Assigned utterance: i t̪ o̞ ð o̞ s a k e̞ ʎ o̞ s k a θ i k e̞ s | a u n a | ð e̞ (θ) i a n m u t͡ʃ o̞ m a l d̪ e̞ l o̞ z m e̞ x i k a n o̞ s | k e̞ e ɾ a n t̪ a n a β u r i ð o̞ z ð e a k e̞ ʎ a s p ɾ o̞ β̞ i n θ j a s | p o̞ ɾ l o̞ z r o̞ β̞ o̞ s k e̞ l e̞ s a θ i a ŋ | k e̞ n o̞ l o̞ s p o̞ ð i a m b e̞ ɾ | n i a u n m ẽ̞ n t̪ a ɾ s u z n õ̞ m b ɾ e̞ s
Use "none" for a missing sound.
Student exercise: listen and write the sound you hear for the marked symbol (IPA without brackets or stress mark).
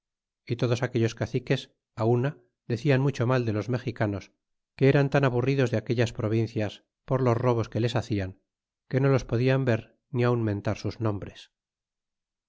θ